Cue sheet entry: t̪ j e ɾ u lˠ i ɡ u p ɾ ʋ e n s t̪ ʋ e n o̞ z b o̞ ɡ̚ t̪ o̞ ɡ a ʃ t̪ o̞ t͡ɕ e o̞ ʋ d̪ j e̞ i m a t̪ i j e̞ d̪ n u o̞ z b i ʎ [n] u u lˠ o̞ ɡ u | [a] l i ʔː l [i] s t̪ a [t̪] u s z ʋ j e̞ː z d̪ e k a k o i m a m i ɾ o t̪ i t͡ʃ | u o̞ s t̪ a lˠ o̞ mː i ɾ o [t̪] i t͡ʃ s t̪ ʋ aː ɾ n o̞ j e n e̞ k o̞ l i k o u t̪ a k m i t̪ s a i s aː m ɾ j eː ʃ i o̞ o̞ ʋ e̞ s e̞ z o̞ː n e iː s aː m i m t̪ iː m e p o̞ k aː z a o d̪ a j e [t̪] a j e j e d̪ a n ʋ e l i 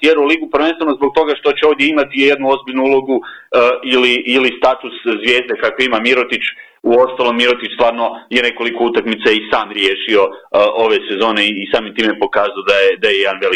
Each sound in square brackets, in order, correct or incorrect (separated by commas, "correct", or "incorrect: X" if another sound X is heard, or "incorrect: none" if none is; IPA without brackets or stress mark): correct, incorrect: i, correct, correct, correct, incorrect: d̪